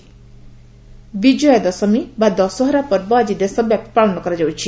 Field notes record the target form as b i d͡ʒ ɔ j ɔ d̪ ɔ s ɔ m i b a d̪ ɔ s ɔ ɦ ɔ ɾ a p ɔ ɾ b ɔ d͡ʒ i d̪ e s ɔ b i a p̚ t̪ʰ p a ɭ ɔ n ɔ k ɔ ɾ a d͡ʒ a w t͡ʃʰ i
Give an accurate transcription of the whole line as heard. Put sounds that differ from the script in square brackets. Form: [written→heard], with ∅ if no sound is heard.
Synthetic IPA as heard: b i d͡ʒ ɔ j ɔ d̪ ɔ s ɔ m i b a d̪ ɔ s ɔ ɦ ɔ ɾ a p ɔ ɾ b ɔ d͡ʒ i d̪ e s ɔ b [i→j] a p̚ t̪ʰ p a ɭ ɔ n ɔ k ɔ ɾ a d͡ʒ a w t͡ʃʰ i

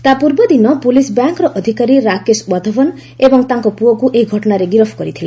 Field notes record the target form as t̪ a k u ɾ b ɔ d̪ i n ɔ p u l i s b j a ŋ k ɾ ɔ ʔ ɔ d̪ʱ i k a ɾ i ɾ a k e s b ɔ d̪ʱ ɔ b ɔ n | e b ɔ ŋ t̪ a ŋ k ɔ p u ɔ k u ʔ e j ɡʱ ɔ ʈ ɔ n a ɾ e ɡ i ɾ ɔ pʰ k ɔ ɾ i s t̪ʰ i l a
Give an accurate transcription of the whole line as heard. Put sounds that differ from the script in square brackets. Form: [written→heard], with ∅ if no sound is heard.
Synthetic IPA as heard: t̪ a [k→p] u ɾ b ɔ d̪ i n ɔ p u l i s b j a ŋ k ɾ ɔ ʔ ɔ d̪ʱ i k a ɾ i ɾ a k e s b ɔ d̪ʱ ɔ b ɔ n | e b ɔ ŋ t̪ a ŋ k ɔ p u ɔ k u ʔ e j ɡʱ ɔ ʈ ɔ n a ɾ e ɡ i ɾ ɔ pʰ k ɔ ɾ i [s→∅] t̪ʰ i l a

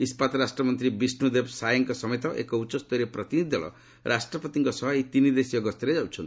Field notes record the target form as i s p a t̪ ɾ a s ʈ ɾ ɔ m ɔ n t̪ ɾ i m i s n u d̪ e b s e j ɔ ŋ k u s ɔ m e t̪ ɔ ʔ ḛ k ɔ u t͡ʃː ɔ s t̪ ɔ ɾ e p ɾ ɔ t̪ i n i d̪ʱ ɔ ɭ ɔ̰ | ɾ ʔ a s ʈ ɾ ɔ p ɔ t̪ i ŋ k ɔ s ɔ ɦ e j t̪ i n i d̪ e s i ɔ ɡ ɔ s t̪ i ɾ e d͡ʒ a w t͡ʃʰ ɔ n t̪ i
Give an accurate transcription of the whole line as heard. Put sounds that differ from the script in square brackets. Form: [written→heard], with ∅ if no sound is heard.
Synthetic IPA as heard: i s p a t̪ ɾ a s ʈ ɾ ɔ m ɔ n t̪ ɾ i [m→b] i s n u d̪ e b s [e→a] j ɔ ŋ k [u→ɔ] s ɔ m e t̪ ɔ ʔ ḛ k ɔ u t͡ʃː ɔ s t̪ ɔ ɾ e p ɾ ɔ t̪ i n i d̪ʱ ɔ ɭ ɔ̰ | ɾ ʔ a s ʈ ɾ ɔ p ɔ t̪ i ŋ k ɔ s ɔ ɦ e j t̪ i n i d̪ e s i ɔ ɡ ɔ s t̪ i ɾ e d͡ʒ a w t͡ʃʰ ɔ n t̪ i

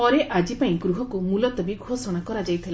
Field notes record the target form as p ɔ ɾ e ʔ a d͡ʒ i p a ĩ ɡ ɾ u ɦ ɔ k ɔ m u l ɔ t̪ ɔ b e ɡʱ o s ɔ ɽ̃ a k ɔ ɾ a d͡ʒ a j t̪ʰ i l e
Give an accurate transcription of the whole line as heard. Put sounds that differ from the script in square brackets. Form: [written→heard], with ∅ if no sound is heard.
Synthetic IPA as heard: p ɔ ɾ e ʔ a d͡ʒ i p a ĩ ɡ ɾ u ɦ ɔ k [ɔ→u] m u l ɔ t̪ ɔ b [e→i] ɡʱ o s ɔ ɽ̃ a k ɔ ɾ a d͡ʒ a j t̪ʰ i l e

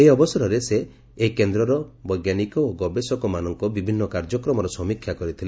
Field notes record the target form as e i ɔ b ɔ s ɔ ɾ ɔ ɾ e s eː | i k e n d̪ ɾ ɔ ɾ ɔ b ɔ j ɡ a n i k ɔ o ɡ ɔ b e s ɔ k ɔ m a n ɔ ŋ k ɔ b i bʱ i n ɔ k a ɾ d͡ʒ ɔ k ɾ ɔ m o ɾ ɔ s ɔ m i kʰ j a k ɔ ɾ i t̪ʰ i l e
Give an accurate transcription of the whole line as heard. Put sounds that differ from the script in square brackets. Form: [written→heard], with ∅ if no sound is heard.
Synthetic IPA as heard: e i ɔ b ɔ s ɔ ɾ ɔ ɾ e s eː | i k e n d̪ ɾ ɔ ɾ ɔ b ɔ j ɡ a n i k ɔ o ɡ ɔ b e s ɔ k ɔ m a n ɔ ŋ k ɔ b i bʱ i [n→nː] ɔ k a ɾ d͡ʒ ɔ k ɾ ɔ m [o→ɔ] ɾ ɔ s ɔ m i kʰ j a k ɔ ɾ i t̪ʰ i l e

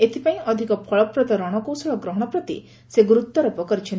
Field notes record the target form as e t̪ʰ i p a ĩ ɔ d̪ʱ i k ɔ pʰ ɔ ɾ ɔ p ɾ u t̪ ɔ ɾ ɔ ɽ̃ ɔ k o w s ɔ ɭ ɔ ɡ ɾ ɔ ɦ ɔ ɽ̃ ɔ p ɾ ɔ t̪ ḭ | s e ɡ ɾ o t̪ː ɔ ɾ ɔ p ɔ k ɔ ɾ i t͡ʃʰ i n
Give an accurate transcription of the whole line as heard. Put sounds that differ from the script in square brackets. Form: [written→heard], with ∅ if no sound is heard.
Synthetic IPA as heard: e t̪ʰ i p a ĩ ɔ d̪ʱ i k ɔ pʰ ɔ [ɾ→ɭ] ɔ p ɾ [u→ɔ] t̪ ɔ ɾ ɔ ɽ̃ ɔ k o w s ɔ ɭ ɔ ɡ ɾ ɔ ɦ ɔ ɽ̃ ɔ p ɾ ɔ t̪ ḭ | s e ɡ ɾ [o→u] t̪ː ɔ ɾ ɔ p ɔ k ɔ ɾ i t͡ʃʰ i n

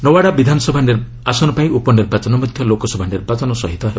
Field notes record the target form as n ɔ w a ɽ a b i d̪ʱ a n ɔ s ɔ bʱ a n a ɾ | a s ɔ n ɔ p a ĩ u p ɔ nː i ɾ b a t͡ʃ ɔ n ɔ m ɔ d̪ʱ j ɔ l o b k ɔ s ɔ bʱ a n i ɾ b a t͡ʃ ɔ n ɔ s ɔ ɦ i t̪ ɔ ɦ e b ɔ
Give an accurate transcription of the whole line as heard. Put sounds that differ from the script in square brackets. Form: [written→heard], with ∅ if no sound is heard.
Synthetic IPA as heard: n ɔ w a ɽ a b i d̪ʱ a n ɔ s ɔ bʱ a n [a→i] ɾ | a s ɔ n ɔ p a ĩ u p ɔ [nː→n] i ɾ b a t͡ʃ ɔ n ɔ m ɔ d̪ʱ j ɔ l o [b→∅] k ɔ s ɔ bʱ a n i ɾ b a t͡ʃ ɔ n ɔ s ɔ ɦ i t̪ ɔ ɦ e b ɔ

